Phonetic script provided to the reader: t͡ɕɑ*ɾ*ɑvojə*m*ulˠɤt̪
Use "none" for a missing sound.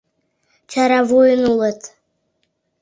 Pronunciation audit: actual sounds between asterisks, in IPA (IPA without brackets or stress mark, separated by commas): ɾ, n